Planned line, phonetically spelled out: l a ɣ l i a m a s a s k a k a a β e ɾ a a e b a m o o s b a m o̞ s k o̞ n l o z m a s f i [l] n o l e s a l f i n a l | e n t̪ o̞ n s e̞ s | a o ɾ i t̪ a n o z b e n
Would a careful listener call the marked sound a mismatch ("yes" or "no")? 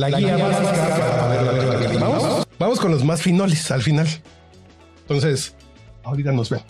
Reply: yes